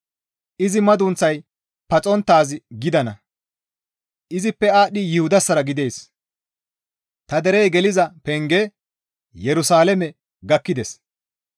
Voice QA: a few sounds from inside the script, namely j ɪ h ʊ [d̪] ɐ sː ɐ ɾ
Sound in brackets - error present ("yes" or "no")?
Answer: no